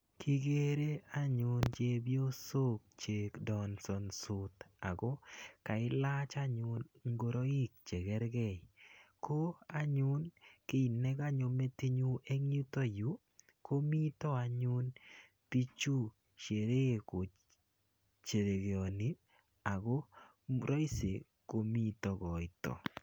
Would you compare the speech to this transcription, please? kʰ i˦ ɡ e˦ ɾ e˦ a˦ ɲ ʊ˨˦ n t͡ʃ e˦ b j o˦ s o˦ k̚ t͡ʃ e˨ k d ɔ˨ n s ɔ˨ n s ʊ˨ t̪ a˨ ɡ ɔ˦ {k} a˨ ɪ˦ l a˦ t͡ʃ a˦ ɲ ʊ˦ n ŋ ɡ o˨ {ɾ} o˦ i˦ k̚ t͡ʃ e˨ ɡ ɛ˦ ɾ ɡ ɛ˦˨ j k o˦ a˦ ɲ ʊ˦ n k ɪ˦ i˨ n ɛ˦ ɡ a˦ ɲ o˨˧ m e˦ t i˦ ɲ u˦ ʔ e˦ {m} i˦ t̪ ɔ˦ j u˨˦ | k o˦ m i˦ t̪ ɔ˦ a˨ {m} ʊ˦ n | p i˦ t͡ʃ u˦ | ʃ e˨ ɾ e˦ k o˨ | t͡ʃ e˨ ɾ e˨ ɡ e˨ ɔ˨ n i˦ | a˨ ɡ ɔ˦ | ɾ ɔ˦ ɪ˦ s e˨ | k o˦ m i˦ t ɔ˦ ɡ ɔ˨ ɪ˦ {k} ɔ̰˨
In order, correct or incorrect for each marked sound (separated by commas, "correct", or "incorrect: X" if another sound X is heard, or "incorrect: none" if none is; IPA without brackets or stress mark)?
correct, correct, incorrect: ŋ, incorrect: ɲ, incorrect: t